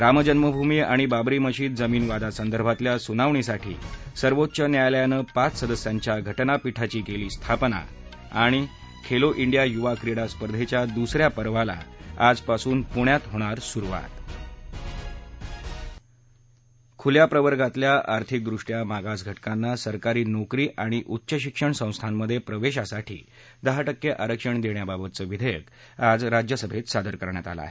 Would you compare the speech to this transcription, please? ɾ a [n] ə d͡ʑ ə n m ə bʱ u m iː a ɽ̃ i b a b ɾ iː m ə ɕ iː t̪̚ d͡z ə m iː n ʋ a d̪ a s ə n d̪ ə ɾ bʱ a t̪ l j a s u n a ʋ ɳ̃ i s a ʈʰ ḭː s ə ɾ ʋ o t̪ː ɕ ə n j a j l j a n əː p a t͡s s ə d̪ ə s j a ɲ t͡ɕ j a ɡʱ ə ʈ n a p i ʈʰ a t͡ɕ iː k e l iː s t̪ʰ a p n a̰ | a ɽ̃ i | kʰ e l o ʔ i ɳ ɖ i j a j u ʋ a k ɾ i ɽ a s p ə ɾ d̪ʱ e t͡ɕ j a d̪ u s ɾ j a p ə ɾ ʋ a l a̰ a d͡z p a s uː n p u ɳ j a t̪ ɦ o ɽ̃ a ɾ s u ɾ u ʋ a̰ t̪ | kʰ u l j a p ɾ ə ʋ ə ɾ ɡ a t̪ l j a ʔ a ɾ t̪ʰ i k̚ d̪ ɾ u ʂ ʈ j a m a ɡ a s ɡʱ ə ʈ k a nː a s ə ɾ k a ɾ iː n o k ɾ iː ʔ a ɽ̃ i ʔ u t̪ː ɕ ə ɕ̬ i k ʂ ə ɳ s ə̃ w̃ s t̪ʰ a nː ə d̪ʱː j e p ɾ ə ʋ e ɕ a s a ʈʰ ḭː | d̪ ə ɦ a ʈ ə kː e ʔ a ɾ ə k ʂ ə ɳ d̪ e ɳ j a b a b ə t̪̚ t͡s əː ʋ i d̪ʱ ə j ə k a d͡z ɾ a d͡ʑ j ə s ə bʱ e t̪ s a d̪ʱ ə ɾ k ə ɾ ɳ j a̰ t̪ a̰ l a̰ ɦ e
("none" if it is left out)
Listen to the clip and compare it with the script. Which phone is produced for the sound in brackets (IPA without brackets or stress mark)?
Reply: m